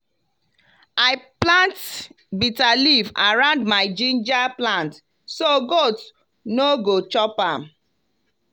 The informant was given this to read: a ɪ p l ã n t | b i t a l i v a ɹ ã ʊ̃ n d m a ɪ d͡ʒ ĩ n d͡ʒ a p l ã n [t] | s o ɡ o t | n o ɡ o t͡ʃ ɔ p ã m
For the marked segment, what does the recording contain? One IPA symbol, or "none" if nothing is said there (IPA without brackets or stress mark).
t